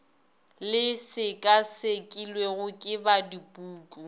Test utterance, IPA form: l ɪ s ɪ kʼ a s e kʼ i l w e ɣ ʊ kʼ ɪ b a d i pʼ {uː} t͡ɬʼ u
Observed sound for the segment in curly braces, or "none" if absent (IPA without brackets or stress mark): uː